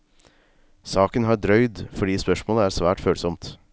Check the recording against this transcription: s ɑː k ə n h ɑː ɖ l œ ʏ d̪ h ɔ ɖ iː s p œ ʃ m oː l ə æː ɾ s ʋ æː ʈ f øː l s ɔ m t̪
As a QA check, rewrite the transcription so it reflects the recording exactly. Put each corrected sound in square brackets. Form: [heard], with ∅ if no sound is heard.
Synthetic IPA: s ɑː k ə n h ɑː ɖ [ɾ] œ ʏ d̪ [f] ɔ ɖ iː s p œ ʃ m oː l ə æː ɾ s ʋ æː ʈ f øː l s ɔ m t̪